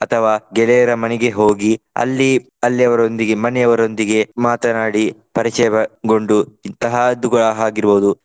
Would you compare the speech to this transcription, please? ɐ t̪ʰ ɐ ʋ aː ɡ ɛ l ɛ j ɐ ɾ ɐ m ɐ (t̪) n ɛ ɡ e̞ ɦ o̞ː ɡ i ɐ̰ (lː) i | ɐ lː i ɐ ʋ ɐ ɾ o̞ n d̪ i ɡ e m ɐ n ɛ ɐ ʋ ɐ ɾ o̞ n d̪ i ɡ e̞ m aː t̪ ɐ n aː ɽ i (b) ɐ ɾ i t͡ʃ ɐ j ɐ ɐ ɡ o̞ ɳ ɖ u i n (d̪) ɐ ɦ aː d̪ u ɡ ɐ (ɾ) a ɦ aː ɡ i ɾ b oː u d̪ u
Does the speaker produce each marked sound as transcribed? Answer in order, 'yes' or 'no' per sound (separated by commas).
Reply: no, yes, no, no, no